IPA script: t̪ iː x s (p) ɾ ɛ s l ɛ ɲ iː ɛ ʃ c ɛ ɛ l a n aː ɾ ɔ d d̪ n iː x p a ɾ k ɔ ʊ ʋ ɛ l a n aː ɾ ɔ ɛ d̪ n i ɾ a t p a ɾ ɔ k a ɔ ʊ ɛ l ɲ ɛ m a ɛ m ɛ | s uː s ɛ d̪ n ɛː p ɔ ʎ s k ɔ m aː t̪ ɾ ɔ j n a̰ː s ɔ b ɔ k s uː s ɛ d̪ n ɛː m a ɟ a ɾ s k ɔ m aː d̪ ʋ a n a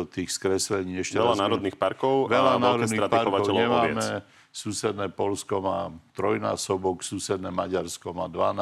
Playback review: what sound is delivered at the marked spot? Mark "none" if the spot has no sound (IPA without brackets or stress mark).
k